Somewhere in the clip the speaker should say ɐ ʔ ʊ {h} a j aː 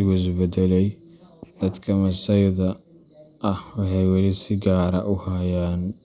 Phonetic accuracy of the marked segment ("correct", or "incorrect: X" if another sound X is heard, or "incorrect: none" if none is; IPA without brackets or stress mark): correct